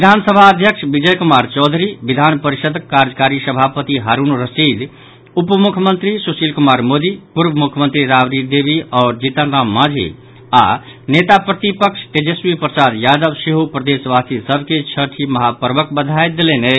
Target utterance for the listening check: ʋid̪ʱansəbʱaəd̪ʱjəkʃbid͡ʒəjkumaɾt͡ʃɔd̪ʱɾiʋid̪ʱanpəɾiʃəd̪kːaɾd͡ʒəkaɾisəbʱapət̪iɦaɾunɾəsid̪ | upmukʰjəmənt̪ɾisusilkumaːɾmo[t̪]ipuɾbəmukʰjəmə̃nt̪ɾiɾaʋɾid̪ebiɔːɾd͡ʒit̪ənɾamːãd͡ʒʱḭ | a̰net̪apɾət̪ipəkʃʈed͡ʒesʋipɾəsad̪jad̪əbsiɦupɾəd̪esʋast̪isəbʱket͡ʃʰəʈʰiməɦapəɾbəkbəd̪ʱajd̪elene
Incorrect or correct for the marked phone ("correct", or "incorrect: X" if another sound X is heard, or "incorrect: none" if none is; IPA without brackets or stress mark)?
incorrect: d̪